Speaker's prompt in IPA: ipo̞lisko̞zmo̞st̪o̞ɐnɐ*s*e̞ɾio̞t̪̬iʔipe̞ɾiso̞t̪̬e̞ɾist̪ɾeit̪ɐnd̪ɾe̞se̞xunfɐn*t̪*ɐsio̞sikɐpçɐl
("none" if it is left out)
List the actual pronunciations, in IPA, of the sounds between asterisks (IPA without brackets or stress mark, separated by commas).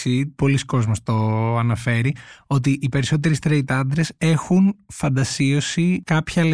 f, d̪